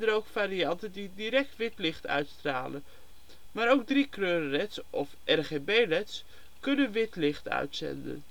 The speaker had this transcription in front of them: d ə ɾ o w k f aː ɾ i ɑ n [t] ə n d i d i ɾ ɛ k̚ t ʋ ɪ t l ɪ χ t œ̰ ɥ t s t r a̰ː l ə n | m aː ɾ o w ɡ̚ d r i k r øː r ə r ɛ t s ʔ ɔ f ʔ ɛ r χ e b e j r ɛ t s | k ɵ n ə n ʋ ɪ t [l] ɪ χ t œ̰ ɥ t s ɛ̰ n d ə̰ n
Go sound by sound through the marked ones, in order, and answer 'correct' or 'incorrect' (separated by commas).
correct, correct